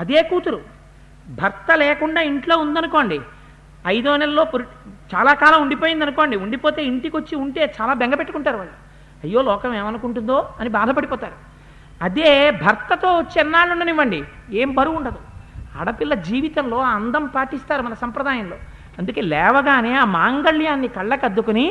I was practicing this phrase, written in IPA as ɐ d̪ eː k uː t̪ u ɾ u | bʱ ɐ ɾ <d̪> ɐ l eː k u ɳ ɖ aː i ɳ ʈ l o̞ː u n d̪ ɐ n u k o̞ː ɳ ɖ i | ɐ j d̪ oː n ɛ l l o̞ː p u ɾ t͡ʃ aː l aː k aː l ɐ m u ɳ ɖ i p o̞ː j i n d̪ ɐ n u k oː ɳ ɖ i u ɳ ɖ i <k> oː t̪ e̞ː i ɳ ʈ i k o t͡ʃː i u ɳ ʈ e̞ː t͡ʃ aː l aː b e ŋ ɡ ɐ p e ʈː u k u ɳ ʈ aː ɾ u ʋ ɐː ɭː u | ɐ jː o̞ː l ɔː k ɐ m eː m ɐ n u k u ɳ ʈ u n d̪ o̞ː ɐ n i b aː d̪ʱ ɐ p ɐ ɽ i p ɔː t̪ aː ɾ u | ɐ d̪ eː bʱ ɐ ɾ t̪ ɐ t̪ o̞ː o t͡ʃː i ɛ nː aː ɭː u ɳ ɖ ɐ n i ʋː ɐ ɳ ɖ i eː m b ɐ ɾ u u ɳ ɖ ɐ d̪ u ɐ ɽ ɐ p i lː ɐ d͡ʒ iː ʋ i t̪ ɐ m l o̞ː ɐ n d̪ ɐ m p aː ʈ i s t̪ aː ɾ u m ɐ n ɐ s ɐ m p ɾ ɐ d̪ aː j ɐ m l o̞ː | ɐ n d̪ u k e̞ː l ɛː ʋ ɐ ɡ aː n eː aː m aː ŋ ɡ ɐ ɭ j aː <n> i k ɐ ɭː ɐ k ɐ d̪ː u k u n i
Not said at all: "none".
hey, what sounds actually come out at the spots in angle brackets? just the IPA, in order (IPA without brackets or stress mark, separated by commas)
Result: t̪, p, nː